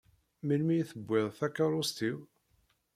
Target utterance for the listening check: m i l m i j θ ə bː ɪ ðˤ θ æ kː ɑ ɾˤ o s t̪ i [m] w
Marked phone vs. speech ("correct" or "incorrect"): incorrect